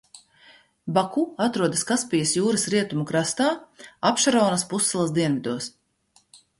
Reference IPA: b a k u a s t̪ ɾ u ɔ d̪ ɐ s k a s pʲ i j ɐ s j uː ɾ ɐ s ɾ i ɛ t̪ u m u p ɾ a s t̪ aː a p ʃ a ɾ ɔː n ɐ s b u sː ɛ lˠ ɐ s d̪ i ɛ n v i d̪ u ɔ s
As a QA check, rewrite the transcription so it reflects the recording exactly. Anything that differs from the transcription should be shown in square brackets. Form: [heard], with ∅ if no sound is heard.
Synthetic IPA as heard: b a k u a [∅] t̪ ɾ u ɔ d̪ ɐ s k a s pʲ i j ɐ s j uː ɾ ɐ s ɾ i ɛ t̪ u m u [k] ɾ a s t̪ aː a p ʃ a ɾ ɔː n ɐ s [p] u sː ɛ lˠ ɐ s d̪ i ɛ n v i d̪ u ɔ s